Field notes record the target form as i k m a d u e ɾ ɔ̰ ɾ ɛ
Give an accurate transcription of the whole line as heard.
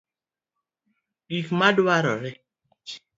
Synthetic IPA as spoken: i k m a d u a ɾ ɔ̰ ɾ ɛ

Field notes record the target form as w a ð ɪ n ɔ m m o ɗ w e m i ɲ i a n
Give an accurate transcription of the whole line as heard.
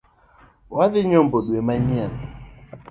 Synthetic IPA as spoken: w a ð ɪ ɲ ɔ m b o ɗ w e m a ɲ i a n

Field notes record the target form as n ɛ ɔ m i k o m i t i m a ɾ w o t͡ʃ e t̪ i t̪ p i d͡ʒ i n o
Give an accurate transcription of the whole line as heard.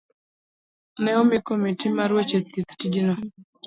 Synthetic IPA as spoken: n ɛ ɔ m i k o m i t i m a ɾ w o t͡ʃ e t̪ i t̪ t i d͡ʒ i n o

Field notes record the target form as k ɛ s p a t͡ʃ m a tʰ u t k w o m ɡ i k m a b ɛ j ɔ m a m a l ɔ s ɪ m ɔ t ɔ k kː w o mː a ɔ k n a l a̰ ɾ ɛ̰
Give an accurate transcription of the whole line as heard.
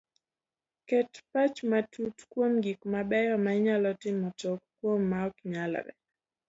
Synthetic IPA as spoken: k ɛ t p a t͡ʃ m a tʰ u t k w o m ɡ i k m a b ɛ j ɔ m a ɲ a l ɔ t ɪ m ɔ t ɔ k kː w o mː a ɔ k ɲ a l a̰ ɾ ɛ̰

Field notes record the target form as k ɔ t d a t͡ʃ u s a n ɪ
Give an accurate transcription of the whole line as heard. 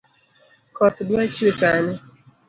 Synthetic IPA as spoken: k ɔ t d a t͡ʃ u s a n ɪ

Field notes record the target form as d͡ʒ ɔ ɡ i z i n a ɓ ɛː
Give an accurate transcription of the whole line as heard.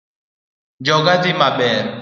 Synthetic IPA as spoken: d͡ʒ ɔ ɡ a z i m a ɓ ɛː

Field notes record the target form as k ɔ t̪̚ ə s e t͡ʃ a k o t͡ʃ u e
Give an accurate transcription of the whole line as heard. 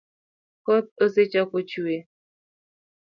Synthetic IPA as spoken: k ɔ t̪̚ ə s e t͡ʃ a k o t͡ʃ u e

